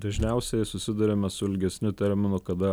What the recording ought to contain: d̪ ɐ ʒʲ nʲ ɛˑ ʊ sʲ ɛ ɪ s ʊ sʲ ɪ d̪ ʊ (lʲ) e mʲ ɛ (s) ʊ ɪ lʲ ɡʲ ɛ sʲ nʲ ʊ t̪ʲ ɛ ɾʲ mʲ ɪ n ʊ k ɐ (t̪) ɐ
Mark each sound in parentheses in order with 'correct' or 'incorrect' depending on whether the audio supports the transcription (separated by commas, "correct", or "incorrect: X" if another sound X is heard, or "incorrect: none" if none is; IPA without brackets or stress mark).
incorrect: ɾʲ, correct, incorrect: d̪